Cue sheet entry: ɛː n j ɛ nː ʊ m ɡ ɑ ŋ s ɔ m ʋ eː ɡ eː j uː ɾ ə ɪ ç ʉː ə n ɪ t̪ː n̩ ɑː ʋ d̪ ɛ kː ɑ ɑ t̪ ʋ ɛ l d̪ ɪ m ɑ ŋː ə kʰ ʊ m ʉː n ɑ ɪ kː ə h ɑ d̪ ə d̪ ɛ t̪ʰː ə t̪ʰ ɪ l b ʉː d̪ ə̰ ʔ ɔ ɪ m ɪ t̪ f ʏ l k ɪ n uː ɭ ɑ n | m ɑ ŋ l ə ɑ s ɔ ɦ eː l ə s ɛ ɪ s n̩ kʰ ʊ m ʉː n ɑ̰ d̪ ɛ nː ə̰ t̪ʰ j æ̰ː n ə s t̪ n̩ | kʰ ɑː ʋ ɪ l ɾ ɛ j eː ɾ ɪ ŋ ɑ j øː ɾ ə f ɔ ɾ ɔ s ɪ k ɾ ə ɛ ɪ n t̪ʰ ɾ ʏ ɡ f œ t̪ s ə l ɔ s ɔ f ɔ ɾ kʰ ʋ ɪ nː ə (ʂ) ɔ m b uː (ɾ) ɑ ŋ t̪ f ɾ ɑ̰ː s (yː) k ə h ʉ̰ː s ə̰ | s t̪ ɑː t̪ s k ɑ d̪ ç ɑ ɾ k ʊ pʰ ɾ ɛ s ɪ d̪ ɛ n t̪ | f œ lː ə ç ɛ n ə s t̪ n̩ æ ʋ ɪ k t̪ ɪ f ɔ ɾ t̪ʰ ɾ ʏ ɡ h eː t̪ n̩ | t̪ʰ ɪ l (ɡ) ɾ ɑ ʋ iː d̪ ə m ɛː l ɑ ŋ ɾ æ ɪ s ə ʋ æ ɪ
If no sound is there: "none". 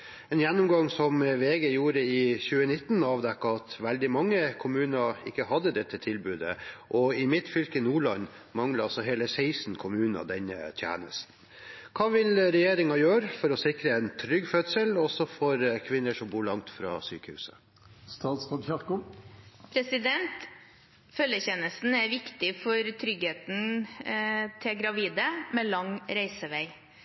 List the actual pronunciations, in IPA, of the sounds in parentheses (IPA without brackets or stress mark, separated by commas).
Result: ʂ, ɭ, yː, ɡ